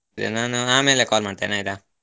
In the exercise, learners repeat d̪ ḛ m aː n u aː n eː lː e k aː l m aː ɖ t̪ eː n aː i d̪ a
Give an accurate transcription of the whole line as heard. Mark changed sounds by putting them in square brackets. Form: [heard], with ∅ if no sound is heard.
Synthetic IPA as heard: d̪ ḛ [n] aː n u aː [m] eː [l] e k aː l m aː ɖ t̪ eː n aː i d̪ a

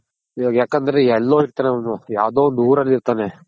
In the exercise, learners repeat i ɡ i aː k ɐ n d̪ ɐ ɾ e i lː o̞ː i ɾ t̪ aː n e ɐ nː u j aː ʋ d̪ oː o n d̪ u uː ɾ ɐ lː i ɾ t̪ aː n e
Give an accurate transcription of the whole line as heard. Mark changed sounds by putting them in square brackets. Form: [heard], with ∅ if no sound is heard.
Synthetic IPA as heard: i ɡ [j] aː k ɐ n d̪ ɐ ɾ e [ɛ] lː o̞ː i ɾ t̪ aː n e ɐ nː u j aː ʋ d̪ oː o n d̪ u uː ɾ ɐ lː i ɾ t̪ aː n e

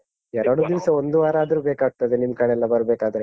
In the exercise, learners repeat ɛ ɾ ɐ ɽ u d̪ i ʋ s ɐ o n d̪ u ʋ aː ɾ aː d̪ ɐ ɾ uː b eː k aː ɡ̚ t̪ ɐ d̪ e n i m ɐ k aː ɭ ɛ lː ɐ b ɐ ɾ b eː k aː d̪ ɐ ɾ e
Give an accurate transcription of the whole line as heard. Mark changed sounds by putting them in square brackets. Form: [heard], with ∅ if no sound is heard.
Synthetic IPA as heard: ɛ ɾ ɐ ɽ u d̪ i ʋ s ɐ o n d̪ u ʋ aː ɾ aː d̪ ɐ ɾ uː b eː k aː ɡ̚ t̪ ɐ d̪ e n i m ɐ k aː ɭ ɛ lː ɐ b ɐ ɾ b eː k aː d̪ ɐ ɾ e

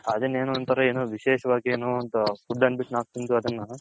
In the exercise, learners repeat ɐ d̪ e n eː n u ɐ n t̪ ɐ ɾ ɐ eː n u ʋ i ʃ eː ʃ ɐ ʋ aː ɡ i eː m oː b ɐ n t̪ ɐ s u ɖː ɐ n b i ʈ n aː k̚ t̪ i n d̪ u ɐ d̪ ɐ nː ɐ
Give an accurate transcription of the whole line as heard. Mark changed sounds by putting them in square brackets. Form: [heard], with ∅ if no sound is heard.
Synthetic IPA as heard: ɐ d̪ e n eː n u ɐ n t̪ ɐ ɾ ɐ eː n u ʋ i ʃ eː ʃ ɐ ʋ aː ɡ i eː [n] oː [∅] ɐ n t̪ ɐ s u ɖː ɐ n b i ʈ n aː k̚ t̪ i n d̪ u ɐ d̪ ɐ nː ɐ

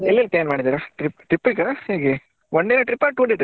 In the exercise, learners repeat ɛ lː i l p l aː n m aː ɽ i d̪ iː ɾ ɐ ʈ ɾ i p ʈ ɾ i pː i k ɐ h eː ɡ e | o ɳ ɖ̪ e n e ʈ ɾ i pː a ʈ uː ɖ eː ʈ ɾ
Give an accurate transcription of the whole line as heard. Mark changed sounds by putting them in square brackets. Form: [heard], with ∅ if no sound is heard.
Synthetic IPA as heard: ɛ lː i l p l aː n m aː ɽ i d̪ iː ɾ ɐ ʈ ɾ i p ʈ ɾ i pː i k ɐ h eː ɡ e | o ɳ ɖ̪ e n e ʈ ɾ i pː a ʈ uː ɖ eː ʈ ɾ

